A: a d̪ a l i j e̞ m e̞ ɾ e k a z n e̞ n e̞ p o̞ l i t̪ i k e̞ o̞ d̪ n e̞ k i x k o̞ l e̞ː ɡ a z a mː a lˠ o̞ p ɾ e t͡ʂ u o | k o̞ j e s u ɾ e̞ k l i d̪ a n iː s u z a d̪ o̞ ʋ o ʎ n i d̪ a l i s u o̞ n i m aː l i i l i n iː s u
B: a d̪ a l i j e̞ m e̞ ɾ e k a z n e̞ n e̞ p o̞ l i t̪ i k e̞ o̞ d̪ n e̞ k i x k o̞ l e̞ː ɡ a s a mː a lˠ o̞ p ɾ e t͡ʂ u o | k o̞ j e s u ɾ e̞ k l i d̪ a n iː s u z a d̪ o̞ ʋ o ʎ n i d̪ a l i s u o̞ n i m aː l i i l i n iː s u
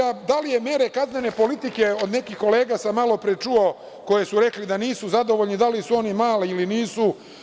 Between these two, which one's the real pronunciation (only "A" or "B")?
B